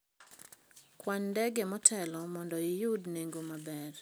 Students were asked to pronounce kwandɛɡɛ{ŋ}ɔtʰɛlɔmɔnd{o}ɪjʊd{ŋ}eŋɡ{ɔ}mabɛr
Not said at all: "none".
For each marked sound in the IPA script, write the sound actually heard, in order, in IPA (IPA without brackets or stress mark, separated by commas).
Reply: m, ɔ, n, o